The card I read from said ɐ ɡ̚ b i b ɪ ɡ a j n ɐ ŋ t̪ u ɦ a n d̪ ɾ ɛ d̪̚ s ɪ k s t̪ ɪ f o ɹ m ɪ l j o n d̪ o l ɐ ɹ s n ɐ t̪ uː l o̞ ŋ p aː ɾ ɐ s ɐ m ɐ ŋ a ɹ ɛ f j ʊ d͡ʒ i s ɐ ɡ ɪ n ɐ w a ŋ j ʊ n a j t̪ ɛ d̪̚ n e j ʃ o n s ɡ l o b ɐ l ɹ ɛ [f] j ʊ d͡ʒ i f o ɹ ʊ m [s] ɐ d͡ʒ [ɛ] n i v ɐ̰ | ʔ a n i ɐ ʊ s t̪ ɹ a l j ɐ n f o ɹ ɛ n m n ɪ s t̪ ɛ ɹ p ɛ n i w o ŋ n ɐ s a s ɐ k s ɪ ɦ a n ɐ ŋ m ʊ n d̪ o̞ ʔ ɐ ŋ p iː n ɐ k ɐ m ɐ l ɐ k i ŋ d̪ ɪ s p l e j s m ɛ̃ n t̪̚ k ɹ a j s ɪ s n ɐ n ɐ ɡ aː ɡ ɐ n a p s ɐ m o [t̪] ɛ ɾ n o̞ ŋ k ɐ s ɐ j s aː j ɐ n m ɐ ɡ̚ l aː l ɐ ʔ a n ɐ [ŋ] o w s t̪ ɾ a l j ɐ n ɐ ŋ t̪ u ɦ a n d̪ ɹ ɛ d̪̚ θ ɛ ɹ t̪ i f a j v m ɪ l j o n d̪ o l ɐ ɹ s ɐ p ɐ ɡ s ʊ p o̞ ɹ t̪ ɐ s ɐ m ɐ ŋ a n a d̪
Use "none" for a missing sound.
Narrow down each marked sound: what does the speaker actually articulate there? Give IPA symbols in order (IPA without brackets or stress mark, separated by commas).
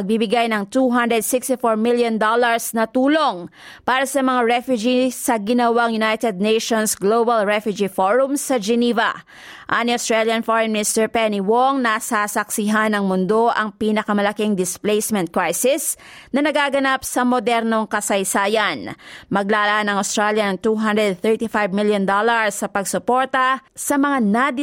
f, s, ɛ, d̪, ŋ